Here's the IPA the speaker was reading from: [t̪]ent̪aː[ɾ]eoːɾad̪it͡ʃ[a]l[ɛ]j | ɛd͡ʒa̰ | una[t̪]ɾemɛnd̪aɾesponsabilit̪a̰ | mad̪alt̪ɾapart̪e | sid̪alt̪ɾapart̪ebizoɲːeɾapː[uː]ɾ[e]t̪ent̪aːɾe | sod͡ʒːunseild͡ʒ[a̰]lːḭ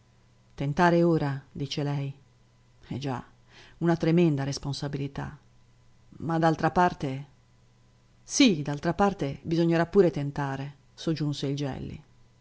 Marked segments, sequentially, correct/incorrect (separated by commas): correct, correct, incorrect, correct, correct, correct, correct, incorrect